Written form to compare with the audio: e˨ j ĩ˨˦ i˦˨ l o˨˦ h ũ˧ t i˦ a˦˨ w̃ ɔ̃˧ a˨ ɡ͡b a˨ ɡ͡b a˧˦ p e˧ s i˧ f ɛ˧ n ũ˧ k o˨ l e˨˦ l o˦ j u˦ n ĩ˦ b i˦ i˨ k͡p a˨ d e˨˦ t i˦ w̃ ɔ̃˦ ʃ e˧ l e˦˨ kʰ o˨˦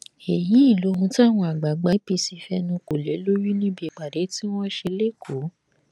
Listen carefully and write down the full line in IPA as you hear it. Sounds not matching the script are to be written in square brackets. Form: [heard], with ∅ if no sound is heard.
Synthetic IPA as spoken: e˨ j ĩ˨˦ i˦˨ l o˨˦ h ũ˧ t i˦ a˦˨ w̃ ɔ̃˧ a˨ ɡ͡b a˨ ɡ͡b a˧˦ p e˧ s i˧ f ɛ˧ n ũ˧ k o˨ l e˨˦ l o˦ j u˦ n ĩ˦ b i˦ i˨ k͡p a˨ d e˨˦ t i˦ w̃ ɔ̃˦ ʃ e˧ l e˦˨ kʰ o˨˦